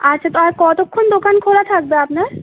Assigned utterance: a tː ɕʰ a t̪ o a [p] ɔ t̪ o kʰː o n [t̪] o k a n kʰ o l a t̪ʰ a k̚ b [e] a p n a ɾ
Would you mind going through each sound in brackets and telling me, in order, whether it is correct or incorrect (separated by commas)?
incorrect, incorrect, correct